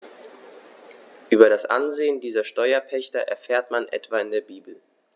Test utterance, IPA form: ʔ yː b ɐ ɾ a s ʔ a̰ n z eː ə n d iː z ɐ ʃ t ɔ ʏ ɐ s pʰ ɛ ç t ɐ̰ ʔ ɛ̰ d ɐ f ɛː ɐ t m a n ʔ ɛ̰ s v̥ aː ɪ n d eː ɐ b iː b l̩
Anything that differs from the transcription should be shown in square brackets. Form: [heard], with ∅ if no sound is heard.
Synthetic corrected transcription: ʔ yː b ɐ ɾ a s ʔ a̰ n z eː ə n d iː z ɐ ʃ t ɔ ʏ ɐ [∅] pʰ ɛ ç t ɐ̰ ʔ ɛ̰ [∅] ɐ f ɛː ɐ t m a n ʔ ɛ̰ [t] v̥ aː ɪ n d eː ɐ b iː b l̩